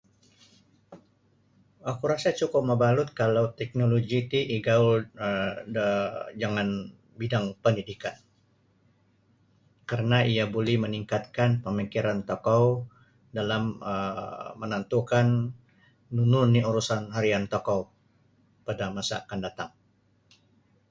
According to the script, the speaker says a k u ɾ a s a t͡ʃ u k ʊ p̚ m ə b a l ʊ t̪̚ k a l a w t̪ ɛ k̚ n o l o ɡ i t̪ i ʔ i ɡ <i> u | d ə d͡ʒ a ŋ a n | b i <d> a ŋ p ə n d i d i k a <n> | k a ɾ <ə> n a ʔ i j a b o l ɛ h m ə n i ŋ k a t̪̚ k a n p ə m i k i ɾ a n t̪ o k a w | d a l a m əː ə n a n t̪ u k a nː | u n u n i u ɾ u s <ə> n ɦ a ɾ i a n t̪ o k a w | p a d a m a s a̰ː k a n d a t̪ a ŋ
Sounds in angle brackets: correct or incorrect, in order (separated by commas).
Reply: incorrect, correct, correct, correct, incorrect